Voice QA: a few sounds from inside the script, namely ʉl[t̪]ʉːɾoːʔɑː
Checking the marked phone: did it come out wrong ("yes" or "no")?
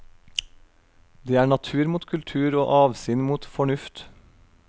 yes